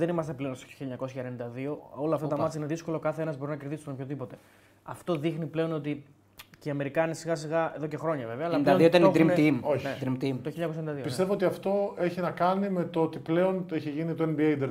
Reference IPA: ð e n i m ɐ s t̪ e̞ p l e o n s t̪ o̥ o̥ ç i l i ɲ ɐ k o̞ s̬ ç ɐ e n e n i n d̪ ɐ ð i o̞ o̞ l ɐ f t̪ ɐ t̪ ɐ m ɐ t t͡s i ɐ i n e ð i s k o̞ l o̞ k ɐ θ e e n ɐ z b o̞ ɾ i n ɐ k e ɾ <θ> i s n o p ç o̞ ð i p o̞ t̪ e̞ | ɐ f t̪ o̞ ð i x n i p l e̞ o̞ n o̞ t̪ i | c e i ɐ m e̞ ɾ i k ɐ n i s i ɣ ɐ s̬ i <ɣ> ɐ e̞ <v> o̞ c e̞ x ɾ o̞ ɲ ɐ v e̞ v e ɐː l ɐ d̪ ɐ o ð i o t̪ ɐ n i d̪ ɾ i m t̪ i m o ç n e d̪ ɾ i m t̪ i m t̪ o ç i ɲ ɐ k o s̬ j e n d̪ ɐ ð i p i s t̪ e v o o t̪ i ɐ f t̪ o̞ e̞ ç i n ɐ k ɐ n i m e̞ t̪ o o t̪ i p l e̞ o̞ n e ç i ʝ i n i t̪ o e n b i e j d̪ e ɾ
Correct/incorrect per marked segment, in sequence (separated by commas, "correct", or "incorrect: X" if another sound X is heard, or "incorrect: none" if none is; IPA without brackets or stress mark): incorrect: ð, correct, incorrect: ð